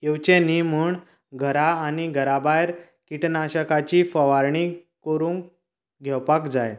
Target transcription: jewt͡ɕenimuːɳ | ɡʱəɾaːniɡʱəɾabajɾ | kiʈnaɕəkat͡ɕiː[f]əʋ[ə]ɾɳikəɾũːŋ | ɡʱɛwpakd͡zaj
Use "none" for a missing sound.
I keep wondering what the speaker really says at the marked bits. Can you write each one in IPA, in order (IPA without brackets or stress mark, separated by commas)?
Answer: f, a